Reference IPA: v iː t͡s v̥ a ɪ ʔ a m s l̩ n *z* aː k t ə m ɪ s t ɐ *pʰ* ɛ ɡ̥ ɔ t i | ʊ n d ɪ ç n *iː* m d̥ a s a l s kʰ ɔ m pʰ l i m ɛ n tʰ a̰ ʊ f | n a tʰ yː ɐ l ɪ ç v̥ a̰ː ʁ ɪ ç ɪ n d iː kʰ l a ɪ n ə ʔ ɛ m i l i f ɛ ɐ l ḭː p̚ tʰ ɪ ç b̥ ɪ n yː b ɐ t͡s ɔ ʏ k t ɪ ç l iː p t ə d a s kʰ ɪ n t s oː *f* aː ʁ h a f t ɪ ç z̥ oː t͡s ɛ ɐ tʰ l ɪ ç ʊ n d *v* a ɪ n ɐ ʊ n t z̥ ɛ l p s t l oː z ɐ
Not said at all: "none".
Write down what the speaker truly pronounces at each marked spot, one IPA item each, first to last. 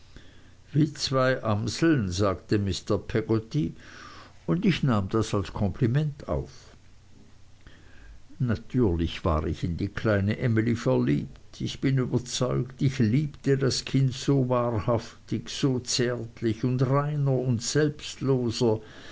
z, pʰ, aː, v, ʁ

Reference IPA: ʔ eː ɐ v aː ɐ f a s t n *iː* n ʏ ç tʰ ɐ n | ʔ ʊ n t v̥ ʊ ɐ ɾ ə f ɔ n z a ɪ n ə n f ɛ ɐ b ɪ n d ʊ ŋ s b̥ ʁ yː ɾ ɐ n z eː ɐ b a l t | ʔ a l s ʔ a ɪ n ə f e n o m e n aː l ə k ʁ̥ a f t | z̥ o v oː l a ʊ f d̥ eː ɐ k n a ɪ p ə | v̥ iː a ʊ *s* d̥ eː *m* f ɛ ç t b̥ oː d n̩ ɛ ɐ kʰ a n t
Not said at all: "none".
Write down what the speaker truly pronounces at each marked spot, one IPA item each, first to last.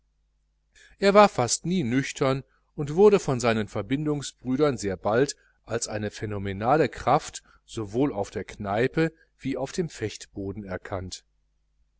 iː, f, m

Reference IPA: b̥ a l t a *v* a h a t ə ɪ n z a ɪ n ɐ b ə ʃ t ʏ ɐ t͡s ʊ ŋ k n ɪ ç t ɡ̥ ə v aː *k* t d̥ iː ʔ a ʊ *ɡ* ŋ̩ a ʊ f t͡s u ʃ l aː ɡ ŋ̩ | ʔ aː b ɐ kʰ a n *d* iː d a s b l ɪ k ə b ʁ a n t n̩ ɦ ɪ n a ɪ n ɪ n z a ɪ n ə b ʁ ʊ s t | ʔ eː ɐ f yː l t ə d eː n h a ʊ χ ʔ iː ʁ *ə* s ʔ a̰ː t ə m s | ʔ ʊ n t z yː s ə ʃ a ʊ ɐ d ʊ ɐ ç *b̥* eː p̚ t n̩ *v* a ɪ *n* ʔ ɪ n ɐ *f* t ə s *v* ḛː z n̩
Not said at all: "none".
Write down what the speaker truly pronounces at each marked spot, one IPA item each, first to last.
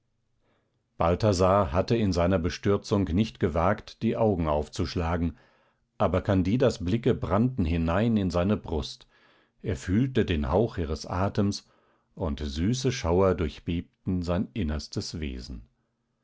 z, k, ɡ, d, ə, b̥, z, n, s, v

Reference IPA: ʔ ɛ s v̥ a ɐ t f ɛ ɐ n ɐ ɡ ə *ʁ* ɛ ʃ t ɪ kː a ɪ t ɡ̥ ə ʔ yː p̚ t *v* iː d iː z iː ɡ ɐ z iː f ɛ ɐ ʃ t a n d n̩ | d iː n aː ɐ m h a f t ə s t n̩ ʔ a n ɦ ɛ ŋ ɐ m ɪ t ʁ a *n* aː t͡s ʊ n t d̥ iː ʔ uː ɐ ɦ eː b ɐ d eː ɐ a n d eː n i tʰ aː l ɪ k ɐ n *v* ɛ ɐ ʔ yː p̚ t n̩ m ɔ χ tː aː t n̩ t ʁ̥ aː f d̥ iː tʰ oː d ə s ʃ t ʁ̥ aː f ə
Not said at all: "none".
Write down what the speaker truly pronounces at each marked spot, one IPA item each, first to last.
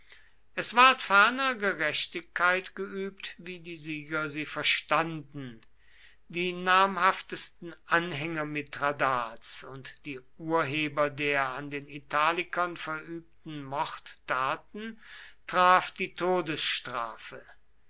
ʁ, v, d, f

